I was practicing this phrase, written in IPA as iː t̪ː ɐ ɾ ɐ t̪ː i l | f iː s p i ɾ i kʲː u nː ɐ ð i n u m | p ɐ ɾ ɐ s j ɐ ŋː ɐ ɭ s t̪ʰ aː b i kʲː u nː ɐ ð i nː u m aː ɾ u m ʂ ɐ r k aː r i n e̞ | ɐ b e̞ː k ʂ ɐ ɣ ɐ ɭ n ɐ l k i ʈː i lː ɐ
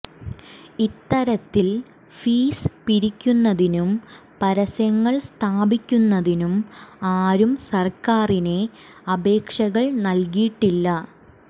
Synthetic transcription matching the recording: i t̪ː ɐ ɾ ɐ t̪ː i l | f iː s p i ɾ i kʲː u nː ɐ ð i n u m | p ɐ ɾ ɐ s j ɐ ŋː ɐ ɭ s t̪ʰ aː b i kʲː u nː ɐ ð i n u m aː ɾ u m s ɐ r k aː r i n e̞ | ɐ b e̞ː k ʂ ɐ ɣ ɐ ɭ n ɐ l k i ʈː i lː ɐ